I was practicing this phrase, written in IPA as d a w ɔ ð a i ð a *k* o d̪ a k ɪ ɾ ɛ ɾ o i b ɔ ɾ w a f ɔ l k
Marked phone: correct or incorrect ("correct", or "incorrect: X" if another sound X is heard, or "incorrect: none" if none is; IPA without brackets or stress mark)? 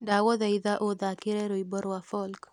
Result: incorrect: ʔ